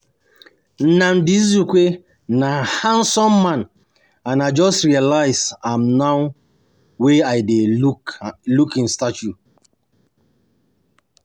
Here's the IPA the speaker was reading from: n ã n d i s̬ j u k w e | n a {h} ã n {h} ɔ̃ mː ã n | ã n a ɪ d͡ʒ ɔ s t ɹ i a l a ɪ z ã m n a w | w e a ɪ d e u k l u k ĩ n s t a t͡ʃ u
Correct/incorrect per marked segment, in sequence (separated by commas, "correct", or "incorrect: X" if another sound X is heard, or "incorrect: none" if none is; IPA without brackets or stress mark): correct, incorrect: s